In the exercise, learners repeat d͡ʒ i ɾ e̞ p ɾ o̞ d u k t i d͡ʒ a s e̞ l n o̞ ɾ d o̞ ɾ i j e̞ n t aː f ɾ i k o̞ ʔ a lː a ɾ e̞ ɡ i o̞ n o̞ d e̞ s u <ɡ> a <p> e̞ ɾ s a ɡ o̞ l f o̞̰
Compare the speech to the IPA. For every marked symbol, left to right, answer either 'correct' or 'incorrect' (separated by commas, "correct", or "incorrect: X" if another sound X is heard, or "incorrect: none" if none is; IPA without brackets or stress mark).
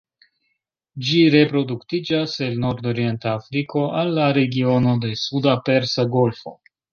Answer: incorrect: d, correct